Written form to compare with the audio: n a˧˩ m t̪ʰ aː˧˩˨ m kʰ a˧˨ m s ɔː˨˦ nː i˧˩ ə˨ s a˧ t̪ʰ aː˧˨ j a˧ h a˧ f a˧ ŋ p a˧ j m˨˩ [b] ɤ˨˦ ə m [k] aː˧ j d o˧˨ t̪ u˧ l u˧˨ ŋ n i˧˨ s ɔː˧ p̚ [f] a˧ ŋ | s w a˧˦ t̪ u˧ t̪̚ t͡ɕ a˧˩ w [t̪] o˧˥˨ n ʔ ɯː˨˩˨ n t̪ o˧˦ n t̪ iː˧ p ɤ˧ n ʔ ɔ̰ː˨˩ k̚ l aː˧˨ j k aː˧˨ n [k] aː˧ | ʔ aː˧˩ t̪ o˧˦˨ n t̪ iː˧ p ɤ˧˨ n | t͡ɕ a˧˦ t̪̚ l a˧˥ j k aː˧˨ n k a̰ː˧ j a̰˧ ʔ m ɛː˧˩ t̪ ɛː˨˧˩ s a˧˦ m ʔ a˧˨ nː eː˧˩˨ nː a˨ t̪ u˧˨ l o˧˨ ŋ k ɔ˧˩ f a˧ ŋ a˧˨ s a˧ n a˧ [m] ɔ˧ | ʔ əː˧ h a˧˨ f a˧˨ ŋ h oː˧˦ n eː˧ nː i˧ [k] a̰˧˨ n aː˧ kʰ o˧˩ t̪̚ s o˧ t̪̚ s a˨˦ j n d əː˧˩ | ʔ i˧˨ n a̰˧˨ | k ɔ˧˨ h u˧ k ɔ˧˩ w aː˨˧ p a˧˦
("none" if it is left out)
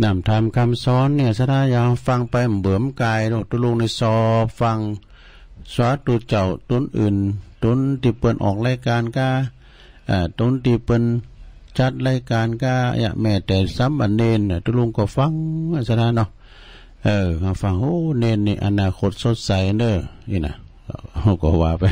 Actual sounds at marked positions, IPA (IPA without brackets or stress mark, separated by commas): b, k, f, t̪, k, n, ʔ